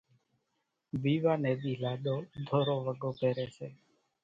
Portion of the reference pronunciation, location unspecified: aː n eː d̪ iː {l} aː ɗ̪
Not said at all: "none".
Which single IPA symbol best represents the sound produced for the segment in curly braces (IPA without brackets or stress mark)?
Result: l